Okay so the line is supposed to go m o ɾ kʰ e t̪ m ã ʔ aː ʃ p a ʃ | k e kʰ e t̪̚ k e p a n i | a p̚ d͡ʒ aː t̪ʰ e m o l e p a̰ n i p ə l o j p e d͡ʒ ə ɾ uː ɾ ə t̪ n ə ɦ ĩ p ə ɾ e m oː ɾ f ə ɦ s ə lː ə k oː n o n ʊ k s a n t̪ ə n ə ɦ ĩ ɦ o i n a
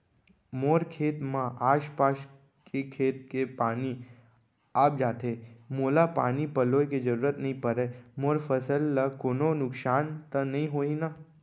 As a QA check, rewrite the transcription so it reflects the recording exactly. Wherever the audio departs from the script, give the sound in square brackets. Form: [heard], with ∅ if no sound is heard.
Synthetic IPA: m o ɾ kʰ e t̪ m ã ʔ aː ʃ p a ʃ | k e kʰ e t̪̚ k e p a n i | a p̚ d͡ʒ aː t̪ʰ e m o l [a] p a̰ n i p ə l o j [k] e d͡ʒ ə ɾ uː ɾ ə t̪ n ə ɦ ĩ p ə ɾ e m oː ɾ f ə [∅] s ə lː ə k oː n o n ʊ k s a n t̪ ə n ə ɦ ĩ ɦ o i n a

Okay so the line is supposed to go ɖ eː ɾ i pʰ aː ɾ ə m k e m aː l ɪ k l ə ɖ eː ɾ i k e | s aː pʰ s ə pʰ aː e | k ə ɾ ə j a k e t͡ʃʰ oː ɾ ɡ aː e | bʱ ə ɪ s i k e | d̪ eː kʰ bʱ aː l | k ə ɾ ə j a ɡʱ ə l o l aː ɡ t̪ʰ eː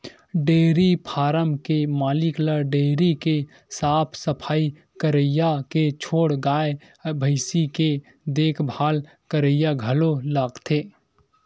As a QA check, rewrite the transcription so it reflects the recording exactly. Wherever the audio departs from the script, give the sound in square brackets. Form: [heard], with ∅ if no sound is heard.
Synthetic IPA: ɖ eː ɾ i pʰ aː ɾ ə m k e m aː l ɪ k l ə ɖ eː ɾ i k e | s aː pʰ s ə pʰ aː [i] | k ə ɾ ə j a k e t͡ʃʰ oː [ɽ] ɡ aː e | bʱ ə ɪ s i k e | d̪ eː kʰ bʱ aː l | k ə ɾ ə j a ɡʱ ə l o l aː ɡ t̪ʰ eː

